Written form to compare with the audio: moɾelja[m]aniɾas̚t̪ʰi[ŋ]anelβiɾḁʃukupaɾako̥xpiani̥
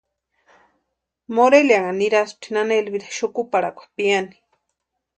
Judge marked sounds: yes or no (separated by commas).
no, no